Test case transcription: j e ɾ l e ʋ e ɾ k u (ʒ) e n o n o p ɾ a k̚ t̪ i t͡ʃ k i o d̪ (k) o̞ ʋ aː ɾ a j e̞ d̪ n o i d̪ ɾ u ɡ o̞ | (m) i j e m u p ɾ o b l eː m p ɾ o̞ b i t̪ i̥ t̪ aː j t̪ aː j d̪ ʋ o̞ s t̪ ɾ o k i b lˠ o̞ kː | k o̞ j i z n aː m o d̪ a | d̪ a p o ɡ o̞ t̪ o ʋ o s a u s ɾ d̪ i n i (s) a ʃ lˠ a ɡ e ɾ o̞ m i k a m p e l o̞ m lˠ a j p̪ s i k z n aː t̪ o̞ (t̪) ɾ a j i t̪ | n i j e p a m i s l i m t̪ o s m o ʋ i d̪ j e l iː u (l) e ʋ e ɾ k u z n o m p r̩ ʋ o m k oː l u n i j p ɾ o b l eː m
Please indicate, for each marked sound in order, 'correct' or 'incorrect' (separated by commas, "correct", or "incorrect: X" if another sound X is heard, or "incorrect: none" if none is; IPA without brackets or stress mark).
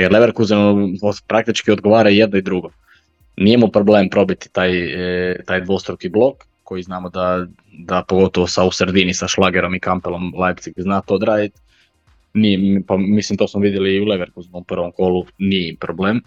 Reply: incorrect: z, incorrect: ɡ, incorrect: n, correct, incorrect: d̪, correct